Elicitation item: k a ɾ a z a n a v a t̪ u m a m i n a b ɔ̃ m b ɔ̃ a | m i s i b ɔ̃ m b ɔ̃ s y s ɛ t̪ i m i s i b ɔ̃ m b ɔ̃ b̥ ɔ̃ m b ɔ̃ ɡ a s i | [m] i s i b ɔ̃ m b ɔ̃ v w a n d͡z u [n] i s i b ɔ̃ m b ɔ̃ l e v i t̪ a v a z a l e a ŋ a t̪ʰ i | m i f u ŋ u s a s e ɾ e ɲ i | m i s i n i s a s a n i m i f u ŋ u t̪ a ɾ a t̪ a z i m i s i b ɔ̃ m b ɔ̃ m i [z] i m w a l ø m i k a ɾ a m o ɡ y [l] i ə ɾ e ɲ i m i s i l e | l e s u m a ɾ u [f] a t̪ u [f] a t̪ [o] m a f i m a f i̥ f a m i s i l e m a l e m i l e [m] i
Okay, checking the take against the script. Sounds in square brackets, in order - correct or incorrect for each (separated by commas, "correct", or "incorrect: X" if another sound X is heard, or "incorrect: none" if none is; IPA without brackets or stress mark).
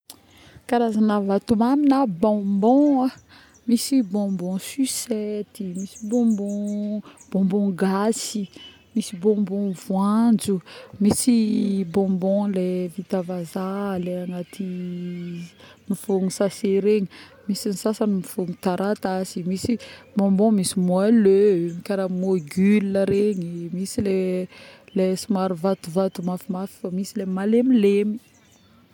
correct, incorrect: m, incorrect: s, correct, incorrect: v, incorrect: v, incorrect: u, correct